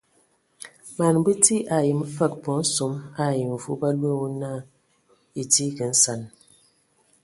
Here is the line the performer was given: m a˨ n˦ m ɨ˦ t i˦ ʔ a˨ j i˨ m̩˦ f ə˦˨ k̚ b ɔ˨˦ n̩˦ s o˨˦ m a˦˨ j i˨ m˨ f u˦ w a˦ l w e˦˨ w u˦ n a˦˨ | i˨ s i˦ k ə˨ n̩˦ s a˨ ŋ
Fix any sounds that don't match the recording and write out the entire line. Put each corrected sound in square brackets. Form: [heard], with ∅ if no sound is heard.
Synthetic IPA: m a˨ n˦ [b] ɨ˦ t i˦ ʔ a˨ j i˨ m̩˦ f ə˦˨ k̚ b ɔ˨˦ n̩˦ s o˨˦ m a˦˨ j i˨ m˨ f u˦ [b] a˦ l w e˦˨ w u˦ n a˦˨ | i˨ [t] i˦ k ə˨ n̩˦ s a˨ [n]